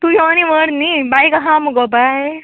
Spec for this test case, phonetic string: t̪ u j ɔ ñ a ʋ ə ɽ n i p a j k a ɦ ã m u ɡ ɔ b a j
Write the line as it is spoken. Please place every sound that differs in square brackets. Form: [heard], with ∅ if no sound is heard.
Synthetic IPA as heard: t̪ u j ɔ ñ [i] ʋ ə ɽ n i [b] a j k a ɦ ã m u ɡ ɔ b a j